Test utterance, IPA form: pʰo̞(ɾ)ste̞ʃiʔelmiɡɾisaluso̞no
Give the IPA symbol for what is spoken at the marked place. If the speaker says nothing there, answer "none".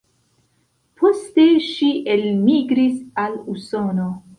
none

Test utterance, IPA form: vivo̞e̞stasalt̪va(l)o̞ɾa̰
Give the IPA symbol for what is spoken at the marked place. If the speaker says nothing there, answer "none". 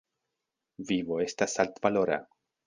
l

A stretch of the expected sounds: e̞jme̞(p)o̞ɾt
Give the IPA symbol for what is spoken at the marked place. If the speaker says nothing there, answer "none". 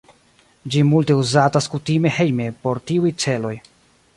p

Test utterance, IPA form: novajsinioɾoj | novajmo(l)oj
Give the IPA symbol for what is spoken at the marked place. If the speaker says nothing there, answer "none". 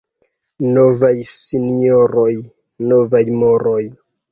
ɾ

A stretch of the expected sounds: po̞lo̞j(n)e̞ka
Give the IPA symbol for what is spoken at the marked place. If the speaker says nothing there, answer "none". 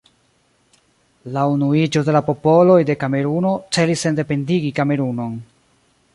d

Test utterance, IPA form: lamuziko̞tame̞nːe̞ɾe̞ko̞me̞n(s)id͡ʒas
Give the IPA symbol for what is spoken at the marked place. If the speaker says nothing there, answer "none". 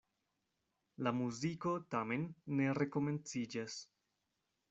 t͡s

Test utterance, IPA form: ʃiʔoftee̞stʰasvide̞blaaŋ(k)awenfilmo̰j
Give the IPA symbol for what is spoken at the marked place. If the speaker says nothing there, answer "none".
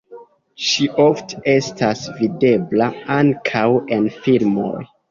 kʰ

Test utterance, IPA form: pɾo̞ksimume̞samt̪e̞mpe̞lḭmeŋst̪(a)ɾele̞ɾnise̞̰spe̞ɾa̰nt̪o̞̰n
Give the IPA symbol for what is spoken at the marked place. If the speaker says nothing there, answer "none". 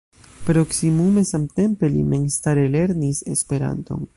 a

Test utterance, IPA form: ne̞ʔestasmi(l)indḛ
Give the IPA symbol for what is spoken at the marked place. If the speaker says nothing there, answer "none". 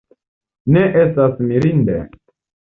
ɾ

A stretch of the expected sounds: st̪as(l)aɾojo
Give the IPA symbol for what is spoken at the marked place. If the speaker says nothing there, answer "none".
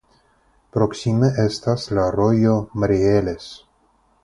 l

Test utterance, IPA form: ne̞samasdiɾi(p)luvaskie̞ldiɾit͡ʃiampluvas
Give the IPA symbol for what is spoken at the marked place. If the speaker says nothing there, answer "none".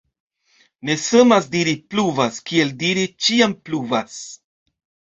p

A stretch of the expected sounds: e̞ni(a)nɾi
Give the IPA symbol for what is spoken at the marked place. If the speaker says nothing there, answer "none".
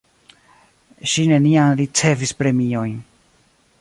a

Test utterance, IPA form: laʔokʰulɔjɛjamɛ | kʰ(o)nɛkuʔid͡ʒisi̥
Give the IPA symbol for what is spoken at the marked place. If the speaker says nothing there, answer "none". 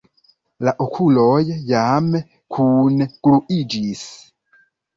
u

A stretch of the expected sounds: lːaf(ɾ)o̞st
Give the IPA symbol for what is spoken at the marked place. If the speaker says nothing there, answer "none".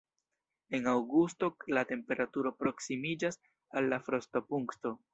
ɾ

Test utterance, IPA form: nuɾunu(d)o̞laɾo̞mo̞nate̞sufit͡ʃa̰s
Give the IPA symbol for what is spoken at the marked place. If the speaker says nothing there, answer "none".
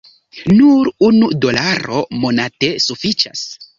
d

